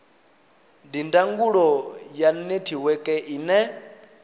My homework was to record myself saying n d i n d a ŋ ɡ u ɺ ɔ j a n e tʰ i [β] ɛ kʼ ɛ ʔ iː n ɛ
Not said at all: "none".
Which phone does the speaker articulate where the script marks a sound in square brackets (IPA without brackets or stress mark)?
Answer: w